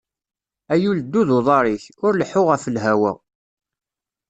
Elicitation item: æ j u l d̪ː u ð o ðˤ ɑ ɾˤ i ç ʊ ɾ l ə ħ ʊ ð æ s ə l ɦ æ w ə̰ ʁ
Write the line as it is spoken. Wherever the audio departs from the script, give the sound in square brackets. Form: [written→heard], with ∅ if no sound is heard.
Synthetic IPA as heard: æ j u l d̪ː u ð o ðˤ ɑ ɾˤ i ç ʊ ɾ l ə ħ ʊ [ð→ʁ] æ [s→f] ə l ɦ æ w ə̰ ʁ